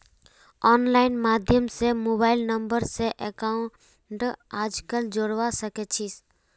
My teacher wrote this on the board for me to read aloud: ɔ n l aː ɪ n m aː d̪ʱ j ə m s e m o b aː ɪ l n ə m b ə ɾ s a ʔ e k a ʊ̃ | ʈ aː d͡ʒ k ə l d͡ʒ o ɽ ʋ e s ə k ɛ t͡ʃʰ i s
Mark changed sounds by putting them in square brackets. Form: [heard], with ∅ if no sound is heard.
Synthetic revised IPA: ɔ n l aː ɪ n m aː d̪ʱ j ə m s e m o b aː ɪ l n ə m b ə ɾ s [e] ʔ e k a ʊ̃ | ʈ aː d͡ʒ k ə l d͡ʒ o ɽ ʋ [a] s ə k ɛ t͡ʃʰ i s

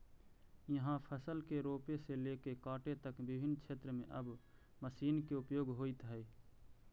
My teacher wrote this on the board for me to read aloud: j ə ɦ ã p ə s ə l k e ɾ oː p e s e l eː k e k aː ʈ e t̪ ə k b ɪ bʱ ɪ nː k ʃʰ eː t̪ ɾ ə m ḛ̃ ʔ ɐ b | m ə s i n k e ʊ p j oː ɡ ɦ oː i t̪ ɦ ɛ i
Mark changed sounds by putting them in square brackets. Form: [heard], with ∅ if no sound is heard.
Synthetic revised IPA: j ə ɦ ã [pʰ] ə s ə l k e ɾ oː p e s e l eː k e k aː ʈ e t̪ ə k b ɪ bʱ ɪ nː k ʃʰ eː t̪ ɾ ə m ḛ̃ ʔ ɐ b | m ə s [iː] n k e ʊ p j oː ɡ ɦ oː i t̪ ɦ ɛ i

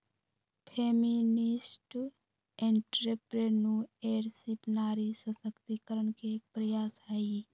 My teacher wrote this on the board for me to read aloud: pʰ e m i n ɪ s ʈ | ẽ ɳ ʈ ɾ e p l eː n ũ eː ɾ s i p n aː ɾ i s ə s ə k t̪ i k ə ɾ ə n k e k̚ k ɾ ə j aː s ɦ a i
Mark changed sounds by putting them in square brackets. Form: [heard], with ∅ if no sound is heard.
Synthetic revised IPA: pʰ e m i n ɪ s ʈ | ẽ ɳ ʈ ɾ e p [ɾ] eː n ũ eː ɾ s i p n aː ɾ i s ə s ə k t̪ i k ə ɾ ə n k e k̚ [p] ɾ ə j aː s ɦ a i

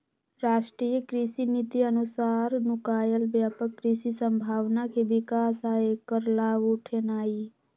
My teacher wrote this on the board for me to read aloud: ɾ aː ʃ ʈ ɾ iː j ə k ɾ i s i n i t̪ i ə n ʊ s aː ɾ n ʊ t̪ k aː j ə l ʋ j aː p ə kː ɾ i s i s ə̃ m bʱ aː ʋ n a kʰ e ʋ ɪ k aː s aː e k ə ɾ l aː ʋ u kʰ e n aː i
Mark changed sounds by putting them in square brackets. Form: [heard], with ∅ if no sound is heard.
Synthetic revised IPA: ɾ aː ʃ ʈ ɾ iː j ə k ɾ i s i n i t̪ i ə n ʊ s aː ɾ n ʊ [∅] k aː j ə l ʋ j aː p ə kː ɾ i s i s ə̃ m bʱ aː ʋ n a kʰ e ʋ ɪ k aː s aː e k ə ɾ l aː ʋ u [ʈʰ] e n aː i

